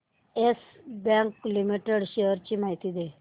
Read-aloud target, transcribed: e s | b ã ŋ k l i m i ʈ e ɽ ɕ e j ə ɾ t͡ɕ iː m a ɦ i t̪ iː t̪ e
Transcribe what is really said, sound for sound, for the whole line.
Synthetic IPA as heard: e s | b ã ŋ k l i m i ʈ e ɽ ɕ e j ə ɾ t͡ɕ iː m a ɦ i t̪ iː d̪ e